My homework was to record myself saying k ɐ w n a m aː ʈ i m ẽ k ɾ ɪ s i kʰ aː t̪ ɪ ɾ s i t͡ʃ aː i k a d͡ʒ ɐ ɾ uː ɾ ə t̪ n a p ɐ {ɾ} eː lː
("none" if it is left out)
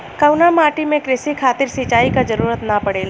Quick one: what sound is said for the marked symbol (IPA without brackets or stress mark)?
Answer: ɽ